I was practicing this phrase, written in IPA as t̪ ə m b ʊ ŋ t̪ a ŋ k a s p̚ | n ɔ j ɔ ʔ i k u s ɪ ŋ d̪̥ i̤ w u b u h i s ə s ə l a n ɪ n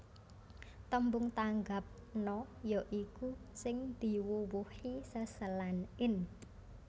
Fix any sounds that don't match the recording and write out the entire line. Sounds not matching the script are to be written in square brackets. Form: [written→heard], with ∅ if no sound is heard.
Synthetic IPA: t̪ ə m b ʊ ŋ t̪ a ŋ [k→ɡ] a [s→∅] p̚ | n ɔ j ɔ ʔ i k u s ɪ ŋ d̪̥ i̤ w u [b→w] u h i s ə s ə l a n ɪ n